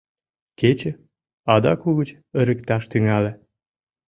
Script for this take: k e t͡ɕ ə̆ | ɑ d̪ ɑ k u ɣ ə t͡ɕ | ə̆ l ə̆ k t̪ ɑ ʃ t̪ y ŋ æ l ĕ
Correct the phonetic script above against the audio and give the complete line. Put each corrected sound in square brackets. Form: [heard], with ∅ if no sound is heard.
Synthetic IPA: k e t͡ɕ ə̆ | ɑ d̪ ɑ k u ɣ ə t͡ɕ | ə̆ [ɾ] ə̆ k t̪ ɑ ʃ t̪ y ŋ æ l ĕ

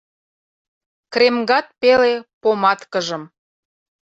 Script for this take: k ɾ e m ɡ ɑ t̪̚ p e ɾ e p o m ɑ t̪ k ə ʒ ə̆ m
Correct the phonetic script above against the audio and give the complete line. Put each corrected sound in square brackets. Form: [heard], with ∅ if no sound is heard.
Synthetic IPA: k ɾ e m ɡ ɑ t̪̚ p e [l] e p o m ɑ t̪ k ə ʒ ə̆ m

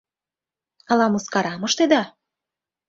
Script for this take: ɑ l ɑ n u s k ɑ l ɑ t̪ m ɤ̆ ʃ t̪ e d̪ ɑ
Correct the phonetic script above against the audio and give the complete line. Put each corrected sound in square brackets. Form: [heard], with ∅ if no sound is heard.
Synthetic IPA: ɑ l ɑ [m] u s k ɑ [ɾ] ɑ [∅] m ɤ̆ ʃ t̪ e d̪ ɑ

